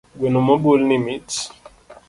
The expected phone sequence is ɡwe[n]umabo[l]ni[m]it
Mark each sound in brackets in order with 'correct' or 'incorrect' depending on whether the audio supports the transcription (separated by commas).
correct, correct, correct